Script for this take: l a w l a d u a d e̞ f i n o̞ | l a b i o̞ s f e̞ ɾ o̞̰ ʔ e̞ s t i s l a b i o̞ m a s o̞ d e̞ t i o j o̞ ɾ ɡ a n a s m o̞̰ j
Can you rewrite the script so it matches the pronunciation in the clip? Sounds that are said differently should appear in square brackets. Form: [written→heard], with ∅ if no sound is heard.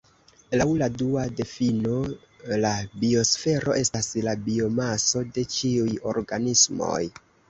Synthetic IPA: l a w l a d u a d e̞ f i n o̞ | l a b i o̞ s f e̞ ɾ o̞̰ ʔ e̞ s t [i→a] s l a b i o̞ m a s o̞ d e̞ [t→t͡ʃ] i [o→u] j o̞ ɾ ɡ a n [a→i] s m o̞̰ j